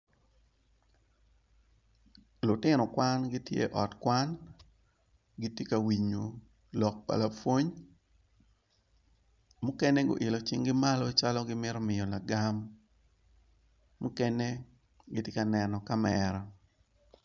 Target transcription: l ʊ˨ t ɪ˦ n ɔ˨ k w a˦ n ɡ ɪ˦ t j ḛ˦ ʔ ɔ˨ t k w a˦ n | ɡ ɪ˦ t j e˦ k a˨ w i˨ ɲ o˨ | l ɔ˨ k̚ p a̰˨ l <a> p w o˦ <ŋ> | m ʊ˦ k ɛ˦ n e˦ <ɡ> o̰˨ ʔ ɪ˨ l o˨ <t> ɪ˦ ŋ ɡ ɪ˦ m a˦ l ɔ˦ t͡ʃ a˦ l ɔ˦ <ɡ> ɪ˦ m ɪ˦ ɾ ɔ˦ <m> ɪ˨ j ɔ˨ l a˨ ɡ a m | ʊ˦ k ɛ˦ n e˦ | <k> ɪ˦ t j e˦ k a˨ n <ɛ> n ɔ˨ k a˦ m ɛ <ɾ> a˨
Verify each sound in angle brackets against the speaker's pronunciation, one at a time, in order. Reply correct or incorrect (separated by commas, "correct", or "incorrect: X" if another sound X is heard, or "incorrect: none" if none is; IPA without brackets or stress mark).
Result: correct, incorrect: ɲ, correct, incorrect: t͡ʃ, correct, correct, incorrect: ɡ, correct, correct